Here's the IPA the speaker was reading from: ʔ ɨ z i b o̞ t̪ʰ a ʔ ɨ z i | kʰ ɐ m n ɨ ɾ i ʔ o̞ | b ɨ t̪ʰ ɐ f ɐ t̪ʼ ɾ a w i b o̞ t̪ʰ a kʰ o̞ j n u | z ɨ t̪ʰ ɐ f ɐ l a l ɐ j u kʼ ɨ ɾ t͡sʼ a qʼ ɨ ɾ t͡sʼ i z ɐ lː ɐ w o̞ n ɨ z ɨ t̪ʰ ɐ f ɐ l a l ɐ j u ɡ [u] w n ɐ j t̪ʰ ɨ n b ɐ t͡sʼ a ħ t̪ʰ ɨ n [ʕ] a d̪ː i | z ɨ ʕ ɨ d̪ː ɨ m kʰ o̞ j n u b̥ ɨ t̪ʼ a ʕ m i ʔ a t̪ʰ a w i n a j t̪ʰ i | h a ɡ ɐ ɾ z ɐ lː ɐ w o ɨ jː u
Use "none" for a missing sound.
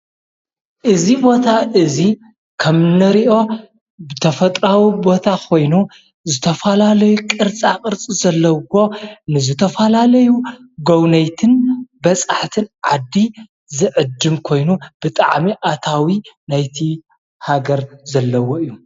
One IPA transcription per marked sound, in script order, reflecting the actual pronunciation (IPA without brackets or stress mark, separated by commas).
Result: o, ʕ